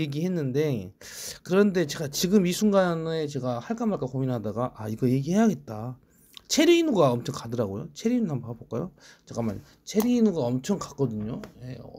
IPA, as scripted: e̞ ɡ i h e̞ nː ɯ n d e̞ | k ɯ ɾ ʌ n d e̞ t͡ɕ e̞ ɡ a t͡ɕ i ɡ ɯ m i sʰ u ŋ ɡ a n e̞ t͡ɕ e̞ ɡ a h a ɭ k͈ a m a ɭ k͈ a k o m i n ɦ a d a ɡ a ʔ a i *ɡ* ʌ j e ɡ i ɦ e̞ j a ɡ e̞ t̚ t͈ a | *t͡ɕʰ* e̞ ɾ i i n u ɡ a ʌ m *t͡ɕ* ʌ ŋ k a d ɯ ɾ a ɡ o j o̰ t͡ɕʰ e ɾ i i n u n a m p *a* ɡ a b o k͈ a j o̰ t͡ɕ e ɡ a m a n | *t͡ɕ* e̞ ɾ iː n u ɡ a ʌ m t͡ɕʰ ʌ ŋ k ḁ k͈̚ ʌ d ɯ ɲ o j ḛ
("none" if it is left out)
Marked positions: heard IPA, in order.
ɡ, t͡ɕʰ, t͡ɕʰ, a, t͡ɕʰ

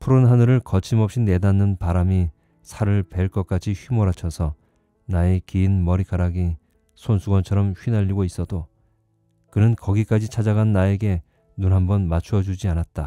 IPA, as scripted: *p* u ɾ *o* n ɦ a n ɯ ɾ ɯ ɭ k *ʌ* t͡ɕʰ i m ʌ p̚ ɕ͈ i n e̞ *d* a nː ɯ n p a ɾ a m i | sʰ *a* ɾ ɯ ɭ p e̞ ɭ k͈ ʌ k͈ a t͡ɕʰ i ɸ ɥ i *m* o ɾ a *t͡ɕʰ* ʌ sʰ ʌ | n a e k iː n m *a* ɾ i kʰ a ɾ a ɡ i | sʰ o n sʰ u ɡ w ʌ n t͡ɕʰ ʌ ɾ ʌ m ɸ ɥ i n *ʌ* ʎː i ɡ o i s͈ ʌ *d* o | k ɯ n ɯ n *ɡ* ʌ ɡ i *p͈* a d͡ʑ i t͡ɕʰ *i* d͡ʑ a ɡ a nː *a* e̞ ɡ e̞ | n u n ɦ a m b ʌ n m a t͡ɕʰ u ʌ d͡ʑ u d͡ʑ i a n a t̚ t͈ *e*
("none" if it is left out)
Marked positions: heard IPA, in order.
pʰ, o, ʌ, d, a, m, t͡ɕʰ, ʌ, a, d, k, k͈, a, a, a

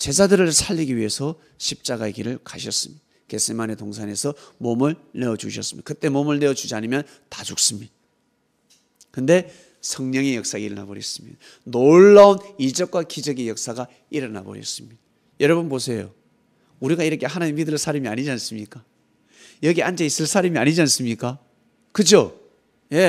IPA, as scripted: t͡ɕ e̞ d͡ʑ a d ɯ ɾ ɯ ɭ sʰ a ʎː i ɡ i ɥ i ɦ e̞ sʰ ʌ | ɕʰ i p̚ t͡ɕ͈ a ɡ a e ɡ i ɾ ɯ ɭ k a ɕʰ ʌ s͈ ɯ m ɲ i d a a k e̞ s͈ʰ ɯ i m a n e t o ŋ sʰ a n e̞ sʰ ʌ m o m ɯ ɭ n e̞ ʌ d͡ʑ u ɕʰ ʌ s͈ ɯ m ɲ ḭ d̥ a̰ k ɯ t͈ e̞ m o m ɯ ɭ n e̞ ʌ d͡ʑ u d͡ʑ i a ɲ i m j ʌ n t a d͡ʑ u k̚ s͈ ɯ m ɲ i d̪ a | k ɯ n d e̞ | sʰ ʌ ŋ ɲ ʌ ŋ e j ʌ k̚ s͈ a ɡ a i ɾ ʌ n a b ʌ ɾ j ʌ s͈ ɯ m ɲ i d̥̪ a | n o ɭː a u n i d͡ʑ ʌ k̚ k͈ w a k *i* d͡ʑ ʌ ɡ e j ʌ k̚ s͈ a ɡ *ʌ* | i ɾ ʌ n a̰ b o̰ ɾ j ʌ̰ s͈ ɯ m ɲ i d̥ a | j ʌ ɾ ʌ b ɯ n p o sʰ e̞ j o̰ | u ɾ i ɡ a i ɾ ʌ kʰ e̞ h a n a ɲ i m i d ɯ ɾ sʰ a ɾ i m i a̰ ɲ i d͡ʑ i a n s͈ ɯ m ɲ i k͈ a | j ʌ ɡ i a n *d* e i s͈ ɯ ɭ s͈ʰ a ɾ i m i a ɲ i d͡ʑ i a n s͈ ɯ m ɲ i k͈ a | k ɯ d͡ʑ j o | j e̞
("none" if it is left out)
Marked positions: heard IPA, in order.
i, a, d͡ʑ

